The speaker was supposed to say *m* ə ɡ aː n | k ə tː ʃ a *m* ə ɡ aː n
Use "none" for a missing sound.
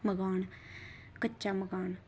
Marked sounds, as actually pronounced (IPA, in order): m, m

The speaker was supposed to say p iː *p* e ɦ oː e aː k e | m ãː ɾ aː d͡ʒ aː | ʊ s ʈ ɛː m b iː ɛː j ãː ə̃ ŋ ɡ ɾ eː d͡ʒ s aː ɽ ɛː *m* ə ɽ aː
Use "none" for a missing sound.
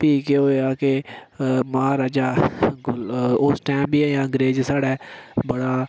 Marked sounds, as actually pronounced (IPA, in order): k, b

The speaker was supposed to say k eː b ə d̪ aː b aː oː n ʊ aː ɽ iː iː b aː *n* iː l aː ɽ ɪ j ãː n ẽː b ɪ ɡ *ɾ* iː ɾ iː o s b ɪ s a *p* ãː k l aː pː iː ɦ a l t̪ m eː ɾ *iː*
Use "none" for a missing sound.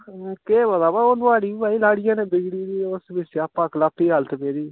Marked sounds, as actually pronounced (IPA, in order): none, ɽ, p, iː

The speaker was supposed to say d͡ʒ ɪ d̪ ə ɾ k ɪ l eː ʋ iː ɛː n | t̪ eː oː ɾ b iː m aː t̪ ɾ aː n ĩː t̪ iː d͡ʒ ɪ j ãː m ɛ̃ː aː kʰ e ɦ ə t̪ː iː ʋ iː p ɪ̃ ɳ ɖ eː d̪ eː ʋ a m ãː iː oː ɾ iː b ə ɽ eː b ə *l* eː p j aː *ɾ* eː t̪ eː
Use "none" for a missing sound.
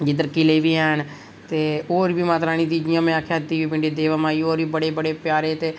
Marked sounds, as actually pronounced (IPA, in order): ɽ, ɾ

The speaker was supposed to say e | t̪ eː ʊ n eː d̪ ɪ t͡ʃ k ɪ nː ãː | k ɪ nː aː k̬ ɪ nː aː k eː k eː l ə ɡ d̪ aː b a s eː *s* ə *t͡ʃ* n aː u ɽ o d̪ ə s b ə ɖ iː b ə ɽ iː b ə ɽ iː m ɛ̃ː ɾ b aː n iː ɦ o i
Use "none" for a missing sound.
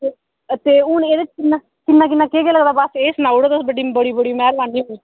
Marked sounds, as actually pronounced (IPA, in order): s, none

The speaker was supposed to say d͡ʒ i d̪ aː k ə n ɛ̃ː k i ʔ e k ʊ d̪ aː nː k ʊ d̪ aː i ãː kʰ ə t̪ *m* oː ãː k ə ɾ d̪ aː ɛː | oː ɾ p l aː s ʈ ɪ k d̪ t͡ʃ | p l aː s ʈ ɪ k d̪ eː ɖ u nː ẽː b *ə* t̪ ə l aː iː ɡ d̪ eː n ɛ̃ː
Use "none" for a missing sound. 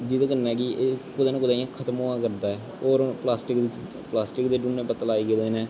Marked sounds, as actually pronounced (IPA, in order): m, ə

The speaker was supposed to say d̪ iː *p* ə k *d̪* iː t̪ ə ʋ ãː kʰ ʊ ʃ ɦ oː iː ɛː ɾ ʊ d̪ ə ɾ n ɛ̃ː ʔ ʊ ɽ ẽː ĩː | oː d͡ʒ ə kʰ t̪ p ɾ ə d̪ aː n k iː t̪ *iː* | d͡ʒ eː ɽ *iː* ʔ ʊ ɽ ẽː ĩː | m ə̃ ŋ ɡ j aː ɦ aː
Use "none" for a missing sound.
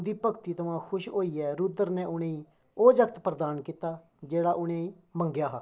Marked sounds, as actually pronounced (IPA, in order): p, t̪, aː, aː

